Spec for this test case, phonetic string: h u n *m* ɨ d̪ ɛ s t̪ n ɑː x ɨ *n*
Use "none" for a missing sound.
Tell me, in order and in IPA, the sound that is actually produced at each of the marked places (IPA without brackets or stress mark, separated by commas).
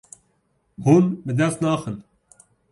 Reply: b, n